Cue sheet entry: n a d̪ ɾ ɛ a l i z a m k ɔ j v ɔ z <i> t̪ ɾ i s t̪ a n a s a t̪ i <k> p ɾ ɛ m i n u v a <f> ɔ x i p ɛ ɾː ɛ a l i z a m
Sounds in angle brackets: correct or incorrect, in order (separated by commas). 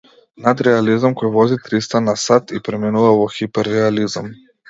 correct, incorrect, incorrect